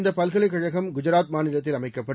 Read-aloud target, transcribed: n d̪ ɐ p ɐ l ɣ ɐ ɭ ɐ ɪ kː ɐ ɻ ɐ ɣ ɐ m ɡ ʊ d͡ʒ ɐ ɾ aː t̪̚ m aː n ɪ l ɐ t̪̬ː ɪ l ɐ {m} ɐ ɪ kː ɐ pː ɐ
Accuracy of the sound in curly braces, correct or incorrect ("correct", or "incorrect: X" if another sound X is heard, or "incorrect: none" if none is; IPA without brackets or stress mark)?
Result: correct